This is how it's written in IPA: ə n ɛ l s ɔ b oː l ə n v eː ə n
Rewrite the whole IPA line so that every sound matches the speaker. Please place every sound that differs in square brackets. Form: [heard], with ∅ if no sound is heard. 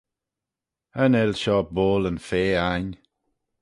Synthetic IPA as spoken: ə n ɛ l [ʃ] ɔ b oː l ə n [f] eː [a] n